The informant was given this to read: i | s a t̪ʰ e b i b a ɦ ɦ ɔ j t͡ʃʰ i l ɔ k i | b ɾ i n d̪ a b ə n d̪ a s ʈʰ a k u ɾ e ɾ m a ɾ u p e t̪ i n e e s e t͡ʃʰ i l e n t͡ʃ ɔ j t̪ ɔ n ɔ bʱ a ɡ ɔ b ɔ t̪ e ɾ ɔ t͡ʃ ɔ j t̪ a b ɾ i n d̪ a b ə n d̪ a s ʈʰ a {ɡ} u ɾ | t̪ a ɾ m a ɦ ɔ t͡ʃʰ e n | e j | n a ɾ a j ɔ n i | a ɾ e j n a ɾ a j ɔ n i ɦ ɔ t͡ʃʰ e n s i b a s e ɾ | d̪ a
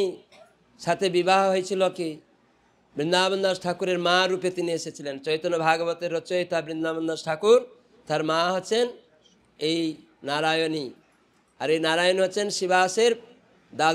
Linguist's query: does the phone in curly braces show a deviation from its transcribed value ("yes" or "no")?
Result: yes